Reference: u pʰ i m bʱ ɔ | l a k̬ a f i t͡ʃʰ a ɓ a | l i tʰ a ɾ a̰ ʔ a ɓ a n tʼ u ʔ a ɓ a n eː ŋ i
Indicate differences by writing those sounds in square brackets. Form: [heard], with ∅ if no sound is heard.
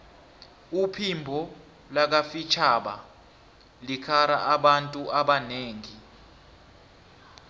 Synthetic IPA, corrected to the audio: u pʰ i m bʱ ɔ | l a k̬ a f i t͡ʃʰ a ɓ a | l i [kʰ] a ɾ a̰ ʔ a ɓ a n tʼ u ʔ a ɓ a n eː ŋ i